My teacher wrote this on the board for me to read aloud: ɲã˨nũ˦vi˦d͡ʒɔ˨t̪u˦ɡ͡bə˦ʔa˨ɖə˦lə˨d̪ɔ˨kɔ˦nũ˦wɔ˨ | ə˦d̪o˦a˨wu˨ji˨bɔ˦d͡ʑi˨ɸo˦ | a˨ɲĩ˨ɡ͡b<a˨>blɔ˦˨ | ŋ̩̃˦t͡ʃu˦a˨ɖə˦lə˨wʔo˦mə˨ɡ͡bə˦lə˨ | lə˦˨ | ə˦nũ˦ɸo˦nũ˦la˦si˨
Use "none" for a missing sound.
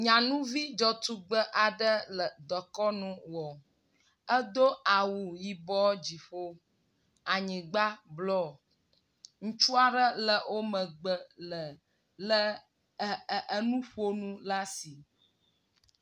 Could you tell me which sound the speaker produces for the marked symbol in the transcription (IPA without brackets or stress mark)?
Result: a˦